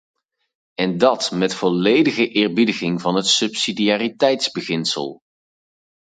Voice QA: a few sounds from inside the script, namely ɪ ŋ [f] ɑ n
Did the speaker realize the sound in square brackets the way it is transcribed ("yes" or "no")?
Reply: no